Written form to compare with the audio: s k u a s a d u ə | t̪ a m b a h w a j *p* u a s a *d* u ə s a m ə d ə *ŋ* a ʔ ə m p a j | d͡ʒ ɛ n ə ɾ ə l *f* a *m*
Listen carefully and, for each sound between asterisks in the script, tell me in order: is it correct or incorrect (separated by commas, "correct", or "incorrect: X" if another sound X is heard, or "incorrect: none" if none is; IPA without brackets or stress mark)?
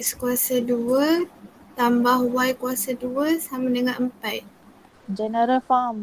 incorrect: k, correct, correct, correct, correct